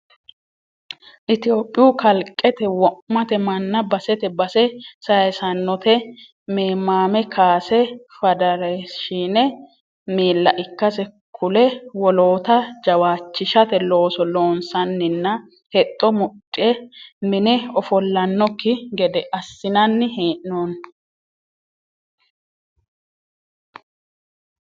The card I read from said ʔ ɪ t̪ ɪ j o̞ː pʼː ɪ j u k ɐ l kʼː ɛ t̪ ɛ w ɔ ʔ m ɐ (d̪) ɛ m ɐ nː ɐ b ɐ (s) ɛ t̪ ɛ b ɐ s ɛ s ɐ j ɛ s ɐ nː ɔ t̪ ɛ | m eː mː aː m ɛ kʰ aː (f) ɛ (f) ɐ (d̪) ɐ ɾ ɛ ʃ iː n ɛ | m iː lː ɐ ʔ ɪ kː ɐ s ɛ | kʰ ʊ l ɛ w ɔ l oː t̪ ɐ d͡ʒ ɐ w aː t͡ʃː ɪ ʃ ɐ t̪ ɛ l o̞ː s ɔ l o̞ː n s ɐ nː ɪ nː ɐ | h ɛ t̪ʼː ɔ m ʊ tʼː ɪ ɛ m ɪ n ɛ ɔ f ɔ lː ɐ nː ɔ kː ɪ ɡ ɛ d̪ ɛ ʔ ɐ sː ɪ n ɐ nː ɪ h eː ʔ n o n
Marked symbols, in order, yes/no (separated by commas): no, yes, no, yes, yes